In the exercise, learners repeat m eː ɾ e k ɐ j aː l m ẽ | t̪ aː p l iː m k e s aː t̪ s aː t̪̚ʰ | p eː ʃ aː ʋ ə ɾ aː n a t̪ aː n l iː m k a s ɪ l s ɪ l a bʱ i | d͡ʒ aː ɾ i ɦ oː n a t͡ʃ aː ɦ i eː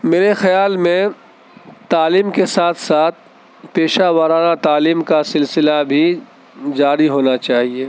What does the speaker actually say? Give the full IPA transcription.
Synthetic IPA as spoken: m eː ɾ e x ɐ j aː l m ẽ | t̪ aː l iː m k e s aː t̪ʰ s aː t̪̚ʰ | p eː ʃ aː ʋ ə ɾ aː n a t̪ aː l iː m k a s ɪ l s ɪ l a bʱ i | d͡ʒ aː ɾ i ɦ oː n a t͡ʃ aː ɦ i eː